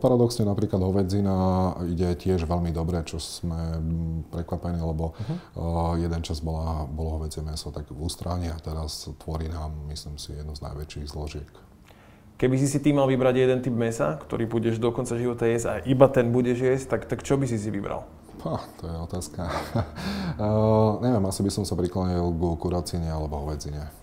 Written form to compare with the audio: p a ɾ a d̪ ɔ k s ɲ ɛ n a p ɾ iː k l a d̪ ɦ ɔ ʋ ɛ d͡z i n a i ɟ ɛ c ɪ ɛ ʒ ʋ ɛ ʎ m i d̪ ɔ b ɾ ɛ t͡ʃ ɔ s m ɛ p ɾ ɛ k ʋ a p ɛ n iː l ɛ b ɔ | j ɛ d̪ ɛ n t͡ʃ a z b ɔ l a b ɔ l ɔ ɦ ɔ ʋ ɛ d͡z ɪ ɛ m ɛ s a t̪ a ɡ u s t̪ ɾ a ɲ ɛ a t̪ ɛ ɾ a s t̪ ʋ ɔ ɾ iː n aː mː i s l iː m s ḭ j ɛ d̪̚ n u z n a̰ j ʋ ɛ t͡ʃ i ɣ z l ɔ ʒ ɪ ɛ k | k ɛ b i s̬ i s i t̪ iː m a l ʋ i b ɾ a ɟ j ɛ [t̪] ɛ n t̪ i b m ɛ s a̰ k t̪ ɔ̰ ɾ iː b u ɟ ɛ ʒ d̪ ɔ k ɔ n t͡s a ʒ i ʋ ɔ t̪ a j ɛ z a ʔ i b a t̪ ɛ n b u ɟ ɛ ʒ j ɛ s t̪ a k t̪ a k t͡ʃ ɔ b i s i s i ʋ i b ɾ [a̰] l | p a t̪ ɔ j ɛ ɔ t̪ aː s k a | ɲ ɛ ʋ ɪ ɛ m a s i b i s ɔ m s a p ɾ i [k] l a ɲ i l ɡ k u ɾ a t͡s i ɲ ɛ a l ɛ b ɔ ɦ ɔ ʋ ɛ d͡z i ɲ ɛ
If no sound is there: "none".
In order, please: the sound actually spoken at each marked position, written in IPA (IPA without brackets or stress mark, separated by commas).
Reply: d̪, a̰, k